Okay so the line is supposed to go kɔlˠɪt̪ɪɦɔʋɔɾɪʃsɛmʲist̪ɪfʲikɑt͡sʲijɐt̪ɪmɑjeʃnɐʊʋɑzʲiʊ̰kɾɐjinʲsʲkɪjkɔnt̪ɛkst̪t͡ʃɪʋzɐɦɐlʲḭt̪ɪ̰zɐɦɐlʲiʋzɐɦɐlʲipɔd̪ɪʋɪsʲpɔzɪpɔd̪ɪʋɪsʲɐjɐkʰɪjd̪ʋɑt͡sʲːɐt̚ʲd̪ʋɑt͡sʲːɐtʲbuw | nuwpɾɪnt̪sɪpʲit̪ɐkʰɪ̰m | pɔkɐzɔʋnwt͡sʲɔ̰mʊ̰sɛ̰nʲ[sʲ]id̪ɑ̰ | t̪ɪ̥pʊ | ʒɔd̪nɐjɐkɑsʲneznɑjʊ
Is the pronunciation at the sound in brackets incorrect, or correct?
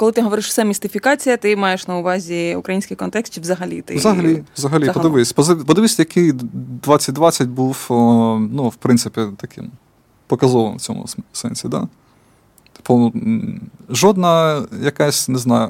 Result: correct